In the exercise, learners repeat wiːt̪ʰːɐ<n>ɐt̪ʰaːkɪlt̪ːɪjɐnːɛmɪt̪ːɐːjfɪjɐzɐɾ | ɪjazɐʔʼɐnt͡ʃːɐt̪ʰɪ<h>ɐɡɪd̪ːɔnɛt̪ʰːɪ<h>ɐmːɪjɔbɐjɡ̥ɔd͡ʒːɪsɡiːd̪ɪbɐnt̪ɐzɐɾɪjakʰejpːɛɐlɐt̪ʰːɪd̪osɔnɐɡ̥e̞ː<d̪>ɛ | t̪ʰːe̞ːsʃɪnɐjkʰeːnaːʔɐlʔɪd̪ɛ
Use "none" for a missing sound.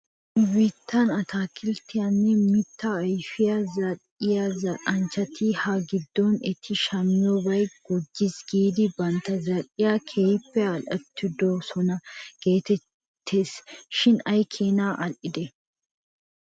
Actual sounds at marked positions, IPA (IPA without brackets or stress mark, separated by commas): n, h, ʃ, t̪